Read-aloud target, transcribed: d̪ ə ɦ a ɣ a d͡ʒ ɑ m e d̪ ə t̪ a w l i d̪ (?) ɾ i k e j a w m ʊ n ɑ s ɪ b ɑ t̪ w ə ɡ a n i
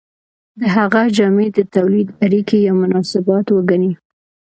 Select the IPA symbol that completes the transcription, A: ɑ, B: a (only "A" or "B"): B